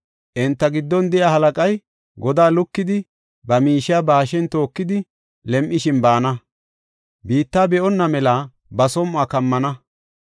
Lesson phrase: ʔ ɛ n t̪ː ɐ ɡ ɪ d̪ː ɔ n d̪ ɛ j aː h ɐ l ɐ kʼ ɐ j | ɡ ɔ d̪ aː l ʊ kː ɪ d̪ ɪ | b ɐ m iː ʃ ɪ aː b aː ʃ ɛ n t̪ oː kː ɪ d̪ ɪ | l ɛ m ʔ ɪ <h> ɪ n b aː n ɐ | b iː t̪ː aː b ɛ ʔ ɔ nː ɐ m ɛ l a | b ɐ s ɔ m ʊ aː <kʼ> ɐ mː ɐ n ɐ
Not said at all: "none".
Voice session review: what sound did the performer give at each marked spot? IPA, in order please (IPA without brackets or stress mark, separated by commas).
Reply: ʃ, k